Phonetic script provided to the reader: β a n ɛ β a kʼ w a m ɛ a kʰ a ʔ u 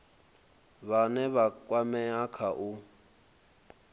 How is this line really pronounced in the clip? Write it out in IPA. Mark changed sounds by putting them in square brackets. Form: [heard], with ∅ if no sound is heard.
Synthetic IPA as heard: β a n ɛ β a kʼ w a m ɛ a kʰ a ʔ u